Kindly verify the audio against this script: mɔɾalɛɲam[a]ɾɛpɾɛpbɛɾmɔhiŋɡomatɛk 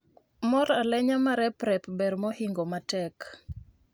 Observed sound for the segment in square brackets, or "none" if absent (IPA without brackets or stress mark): a